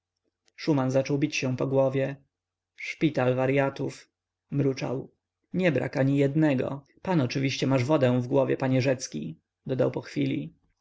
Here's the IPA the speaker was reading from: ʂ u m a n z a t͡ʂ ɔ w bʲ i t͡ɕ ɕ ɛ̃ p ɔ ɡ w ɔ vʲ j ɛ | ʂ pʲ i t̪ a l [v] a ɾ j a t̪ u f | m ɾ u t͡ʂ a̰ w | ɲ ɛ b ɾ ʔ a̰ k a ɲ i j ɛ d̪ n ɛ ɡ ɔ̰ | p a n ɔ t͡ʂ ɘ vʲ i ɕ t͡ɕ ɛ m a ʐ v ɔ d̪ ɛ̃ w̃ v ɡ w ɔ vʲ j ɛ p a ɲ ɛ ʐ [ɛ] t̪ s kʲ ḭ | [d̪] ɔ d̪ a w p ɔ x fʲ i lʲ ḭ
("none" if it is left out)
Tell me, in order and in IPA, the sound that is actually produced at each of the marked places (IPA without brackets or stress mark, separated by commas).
v, ɛ, d̪